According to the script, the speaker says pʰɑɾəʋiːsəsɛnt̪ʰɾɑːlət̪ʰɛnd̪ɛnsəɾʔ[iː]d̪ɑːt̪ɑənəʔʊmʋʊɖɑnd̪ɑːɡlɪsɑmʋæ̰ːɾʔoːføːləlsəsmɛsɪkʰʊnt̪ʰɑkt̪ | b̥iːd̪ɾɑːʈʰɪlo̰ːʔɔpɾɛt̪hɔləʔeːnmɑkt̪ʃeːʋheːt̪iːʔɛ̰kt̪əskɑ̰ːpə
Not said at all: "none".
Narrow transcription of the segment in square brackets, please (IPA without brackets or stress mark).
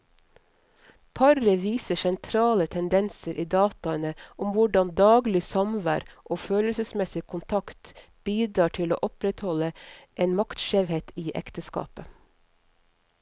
iː